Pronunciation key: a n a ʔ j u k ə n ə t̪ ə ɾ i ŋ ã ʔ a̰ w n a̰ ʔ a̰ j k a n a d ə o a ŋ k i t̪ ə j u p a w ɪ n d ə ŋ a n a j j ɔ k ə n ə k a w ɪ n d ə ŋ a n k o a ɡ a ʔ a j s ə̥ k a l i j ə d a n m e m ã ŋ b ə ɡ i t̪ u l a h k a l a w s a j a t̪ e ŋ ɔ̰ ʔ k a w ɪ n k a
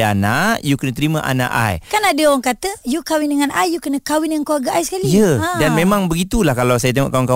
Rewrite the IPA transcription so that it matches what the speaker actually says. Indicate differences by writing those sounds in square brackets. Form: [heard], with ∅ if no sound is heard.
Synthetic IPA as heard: a n a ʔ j u k ə n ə t̪ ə ɾ i [m] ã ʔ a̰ [∅] n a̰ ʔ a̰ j k a n a d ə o a ŋ k [a] t̪ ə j u [k] a w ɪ n d ə ŋ a n a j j [u] k ə n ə k a w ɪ n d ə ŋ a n k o a ɡ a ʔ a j s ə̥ k a l i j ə d a n m e m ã ŋ b ə ɡ i t̪ u l a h k a l a w s a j a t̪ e ŋ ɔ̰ ʔ k a w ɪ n k a